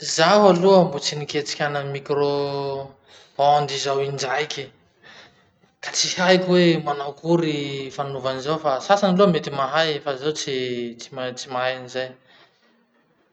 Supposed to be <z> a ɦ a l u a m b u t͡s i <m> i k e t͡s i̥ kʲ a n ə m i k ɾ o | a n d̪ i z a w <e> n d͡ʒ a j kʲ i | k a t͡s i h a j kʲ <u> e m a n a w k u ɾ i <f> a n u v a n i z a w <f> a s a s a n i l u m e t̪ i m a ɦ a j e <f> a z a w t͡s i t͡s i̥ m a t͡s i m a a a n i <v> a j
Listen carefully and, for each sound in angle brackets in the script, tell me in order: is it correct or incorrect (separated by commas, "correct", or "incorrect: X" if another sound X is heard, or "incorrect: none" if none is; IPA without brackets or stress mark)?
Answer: correct, incorrect: n, incorrect: i, incorrect: w, correct, correct, correct, incorrect: z